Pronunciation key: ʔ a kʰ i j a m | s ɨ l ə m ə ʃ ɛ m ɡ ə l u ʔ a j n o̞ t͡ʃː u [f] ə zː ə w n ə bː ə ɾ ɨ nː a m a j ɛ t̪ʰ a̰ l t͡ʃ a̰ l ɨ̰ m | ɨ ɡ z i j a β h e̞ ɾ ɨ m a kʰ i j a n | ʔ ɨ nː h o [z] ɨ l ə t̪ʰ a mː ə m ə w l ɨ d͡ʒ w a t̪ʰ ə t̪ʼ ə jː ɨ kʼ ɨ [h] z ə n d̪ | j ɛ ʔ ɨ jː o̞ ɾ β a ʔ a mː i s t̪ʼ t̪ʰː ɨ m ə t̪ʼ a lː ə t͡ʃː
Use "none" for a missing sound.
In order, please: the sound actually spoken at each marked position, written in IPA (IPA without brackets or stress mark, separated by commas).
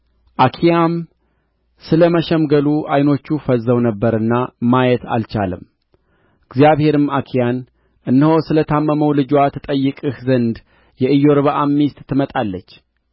f, s, h